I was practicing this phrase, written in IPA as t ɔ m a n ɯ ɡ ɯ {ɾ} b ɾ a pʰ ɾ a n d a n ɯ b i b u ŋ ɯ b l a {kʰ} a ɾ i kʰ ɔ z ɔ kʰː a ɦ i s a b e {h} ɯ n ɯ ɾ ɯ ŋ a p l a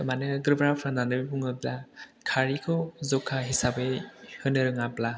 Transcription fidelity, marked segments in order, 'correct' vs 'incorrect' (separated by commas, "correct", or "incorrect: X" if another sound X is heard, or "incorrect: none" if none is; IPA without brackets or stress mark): correct, correct, correct